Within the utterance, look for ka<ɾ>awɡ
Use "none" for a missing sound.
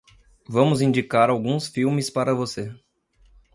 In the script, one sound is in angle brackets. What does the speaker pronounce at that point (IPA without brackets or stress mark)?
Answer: ɾ